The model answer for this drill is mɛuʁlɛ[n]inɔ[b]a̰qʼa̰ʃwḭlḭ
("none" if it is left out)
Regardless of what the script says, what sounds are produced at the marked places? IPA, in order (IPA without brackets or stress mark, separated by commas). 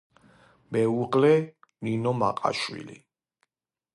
n, m